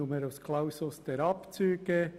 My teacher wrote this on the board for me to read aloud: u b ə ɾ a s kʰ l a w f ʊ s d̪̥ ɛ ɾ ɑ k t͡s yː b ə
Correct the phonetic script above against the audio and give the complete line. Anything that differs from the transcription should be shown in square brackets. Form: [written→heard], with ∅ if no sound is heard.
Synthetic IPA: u [b→m] ə ɾ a s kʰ l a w [f→s] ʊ s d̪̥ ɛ ɾ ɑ [k→p] t͡s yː [b→ɡ] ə